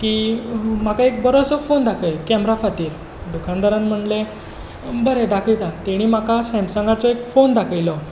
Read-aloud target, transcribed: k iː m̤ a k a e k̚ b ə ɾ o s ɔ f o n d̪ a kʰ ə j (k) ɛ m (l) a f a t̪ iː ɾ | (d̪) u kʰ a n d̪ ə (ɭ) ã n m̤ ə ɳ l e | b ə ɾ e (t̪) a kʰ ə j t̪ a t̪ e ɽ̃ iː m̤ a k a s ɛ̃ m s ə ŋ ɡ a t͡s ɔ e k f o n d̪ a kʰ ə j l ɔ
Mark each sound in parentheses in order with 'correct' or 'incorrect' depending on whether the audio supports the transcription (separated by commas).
correct, incorrect, correct, incorrect, incorrect